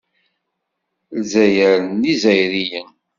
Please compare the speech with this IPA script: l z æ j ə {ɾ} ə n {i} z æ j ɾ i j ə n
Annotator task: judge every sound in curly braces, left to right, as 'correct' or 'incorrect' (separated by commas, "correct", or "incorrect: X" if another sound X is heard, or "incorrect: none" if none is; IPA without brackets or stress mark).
correct, correct